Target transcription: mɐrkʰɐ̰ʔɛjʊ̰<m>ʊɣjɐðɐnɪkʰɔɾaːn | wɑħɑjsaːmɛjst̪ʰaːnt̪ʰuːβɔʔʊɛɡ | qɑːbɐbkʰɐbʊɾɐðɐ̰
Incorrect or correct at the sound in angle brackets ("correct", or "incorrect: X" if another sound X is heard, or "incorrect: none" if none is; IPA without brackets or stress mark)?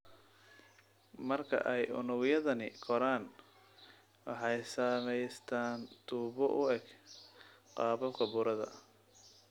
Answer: incorrect: n